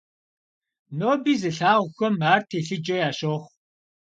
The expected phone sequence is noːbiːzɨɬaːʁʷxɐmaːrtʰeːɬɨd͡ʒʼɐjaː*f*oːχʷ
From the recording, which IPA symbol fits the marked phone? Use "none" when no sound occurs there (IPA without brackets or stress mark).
ʃ